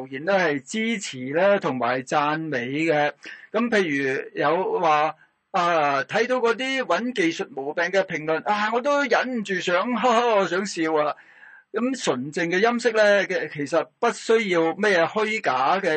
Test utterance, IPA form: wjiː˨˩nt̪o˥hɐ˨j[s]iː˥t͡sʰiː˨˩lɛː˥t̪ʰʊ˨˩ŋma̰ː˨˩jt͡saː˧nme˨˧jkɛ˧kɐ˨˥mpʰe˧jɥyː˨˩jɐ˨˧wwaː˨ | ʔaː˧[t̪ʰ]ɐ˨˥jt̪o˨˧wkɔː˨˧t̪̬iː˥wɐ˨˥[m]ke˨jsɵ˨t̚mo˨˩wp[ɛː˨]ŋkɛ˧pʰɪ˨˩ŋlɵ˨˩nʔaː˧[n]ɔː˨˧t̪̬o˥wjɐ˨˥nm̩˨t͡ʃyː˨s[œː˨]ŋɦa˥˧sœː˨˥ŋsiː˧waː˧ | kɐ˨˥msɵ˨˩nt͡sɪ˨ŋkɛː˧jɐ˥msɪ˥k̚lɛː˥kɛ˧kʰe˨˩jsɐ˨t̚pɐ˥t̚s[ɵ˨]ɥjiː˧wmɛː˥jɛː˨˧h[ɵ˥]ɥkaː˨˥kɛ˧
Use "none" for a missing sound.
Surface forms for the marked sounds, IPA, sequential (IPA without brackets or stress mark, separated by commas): t͡s, t̪ʰ, n, ɛː˨, ŋ, œː˨˥, ɵ˥, ɵ˥